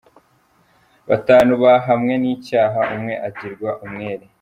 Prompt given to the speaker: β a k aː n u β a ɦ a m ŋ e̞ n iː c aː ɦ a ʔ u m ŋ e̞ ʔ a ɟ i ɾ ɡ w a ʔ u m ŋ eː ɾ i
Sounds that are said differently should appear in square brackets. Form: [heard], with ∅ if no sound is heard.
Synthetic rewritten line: β a [t] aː n u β a ɦ a m ŋ e̞ n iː c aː ɦ a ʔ u m ŋ e̞ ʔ a ɟ i ɾ ɡ w a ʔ u m ŋ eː ɾ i